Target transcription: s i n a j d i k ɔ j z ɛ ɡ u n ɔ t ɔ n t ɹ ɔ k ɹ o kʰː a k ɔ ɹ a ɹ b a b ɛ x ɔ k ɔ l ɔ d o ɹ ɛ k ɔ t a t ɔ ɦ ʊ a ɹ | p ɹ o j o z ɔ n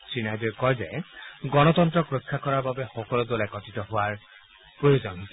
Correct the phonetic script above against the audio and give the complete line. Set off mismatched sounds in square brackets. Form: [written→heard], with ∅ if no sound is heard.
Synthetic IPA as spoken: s i n a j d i k ɔ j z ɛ ɡ [u→ɔ] n ɔ t ɔ n t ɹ ɔ k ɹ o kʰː a k ɔ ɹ a ɹ b a b ɛ x ɔ k ɔ l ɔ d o [ɹ→l] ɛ k ɔ t [a→i] t ɔ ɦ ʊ a ɹ | p ɹ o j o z ɔ n

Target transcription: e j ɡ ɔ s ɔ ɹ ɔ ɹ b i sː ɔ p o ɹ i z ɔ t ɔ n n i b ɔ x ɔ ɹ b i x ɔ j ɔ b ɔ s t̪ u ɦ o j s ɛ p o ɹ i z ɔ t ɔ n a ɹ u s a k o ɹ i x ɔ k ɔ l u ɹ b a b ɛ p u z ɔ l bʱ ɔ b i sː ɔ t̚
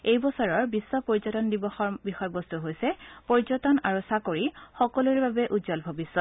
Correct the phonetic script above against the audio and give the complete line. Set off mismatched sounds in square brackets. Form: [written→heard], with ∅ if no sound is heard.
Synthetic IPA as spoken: e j [ɡ→b] ɔ s ɔ ɹ ɔ ɹ b i sː ɔ p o ɹ i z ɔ t ɔ n [n→d] i b ɔ x ɔ ɹ b i x ɔ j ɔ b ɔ s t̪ u ɦ o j s ɛ p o ɹ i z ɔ t ɔ n a ɹ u s a k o ɹ i x ɔ k ɔ l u ɹ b a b ɛ [p→ʔ] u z ɔ l bʱ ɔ b i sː ɔ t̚

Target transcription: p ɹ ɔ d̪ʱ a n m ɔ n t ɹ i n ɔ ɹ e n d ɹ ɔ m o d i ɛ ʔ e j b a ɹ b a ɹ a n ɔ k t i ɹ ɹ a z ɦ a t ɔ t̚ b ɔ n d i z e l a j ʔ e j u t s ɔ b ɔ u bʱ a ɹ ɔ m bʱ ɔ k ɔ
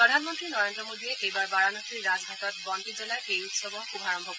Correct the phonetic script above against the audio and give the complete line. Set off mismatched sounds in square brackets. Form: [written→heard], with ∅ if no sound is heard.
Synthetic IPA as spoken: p ɹ ɔ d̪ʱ a n m ɔ n t ɹ i n ɔ ɹ e n d ɹ ɔ m o d i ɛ ʔ e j b a ɹ b a ɹ a n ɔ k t i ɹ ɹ a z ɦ a t ɔ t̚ b ɔ n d i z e l a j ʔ e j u t s ɔ b ɔ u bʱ a ɹ ɔ m bʱ ɔ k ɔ

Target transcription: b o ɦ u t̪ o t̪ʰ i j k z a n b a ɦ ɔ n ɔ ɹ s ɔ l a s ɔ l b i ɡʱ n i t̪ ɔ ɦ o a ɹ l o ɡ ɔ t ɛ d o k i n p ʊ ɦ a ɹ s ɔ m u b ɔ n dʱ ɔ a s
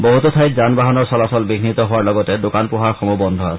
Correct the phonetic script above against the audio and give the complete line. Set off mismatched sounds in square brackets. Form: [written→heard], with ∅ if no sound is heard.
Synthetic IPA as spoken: b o ɦ u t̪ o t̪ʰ [i→a] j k z a n b a ɦ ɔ n ɔ ɹ s ɔ l a s ɔ l b i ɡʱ n i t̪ ɔ ɦ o a ɹ l [o→ɔ] ɡ ɔ t ɛ d o k [i→a] n p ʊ ɦ a ɹ [s→x] ɔ m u b ɔ n dʱ ɔ a s

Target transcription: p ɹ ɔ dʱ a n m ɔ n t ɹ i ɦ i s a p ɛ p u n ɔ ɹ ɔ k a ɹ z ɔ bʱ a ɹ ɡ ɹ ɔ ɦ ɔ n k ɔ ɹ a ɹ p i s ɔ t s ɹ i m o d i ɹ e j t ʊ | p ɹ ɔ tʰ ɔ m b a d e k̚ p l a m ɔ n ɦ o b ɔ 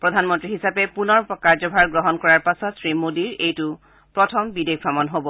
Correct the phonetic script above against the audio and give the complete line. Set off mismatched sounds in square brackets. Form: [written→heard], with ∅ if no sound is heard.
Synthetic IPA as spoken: p ɹ ɔ dʱ a n m ɔ n t ɹ i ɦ i s a p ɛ p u n ɔ ɹ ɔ k a ɹ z ɔ bʱ a ɹ ɡ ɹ ɔ ɦ ɔ n k ɔ ɹ a ɹ p [i→a] s ɔ t s ɹ i m o d i ɹ e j t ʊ | p ɹ ɔ tʰ ɔ m b [a→i] d e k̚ p [l→ɹ] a m ɔ n ɦ o b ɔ

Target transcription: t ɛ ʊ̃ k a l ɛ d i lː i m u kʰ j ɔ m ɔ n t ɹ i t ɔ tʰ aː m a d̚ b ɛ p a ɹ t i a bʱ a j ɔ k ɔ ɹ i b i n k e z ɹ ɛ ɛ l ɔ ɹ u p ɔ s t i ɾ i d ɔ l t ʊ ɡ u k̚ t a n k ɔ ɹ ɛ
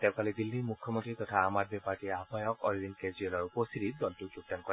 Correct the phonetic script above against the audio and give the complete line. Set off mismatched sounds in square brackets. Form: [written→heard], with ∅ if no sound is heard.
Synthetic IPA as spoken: t ɛ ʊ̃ k a l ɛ d i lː i m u kʰ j ɔ m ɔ n t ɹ i t ɔ tʰ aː m a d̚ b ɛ p a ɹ t i a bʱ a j ɔ k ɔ ɹ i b i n k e z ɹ [ɛ→i] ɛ l ɔ ɹ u p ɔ s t i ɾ i d ɔ l t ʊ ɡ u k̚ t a n k ɔ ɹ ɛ

